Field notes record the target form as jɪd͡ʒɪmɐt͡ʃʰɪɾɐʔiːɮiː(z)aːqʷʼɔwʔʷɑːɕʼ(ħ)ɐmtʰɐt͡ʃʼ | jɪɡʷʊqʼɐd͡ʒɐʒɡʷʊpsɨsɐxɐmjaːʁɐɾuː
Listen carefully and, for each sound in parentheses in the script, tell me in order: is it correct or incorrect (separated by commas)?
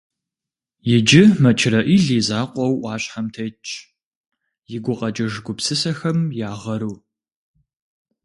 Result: correct, correct